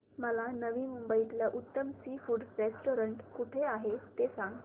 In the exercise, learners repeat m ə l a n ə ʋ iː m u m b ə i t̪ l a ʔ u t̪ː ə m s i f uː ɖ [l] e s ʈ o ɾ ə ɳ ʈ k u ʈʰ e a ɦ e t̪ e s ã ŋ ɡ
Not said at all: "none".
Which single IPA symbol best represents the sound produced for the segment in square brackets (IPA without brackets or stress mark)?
ɾ